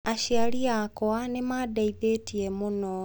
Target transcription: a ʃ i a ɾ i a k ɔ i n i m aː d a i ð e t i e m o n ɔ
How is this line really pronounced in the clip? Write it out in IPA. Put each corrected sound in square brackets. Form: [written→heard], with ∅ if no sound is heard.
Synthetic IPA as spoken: a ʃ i a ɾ i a k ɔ [i→a] n [i→e] m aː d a i ð e t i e m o n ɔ